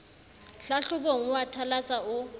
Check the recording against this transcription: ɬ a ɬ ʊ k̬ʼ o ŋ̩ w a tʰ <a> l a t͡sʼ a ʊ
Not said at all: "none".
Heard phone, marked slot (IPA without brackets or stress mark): a